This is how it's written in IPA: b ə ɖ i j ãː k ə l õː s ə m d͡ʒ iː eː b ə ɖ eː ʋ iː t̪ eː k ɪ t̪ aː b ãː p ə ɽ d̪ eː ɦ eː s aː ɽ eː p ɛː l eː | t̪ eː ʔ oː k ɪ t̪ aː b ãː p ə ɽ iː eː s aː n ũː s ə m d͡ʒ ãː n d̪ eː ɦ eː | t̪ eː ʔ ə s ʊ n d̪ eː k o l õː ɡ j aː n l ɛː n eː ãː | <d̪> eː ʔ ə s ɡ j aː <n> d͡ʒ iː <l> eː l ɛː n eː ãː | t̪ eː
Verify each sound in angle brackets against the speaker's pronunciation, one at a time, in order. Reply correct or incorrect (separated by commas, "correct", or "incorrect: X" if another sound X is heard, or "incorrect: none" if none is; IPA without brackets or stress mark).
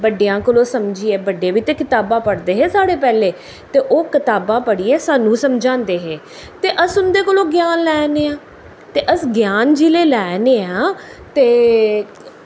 incorrect: t̪, correct, correct